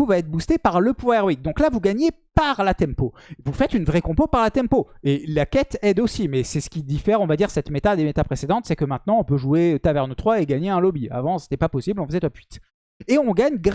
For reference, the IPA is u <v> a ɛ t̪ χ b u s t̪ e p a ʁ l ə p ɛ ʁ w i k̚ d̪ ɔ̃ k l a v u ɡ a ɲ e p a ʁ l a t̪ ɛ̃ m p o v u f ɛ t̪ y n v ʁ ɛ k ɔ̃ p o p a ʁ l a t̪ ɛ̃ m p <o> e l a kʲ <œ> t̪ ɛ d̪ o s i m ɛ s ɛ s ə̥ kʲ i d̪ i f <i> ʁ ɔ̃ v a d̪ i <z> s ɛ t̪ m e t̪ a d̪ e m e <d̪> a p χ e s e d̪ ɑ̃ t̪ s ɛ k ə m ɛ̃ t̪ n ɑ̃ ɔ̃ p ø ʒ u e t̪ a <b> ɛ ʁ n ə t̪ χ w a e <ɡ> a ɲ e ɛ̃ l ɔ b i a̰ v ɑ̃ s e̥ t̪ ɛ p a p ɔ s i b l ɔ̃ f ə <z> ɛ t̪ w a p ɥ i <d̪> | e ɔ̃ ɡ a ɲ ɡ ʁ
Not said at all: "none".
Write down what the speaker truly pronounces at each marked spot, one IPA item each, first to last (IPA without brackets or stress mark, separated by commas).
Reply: v, o, ɛ, ɛ, ʁ, t̪, v, ɡ, z, t̪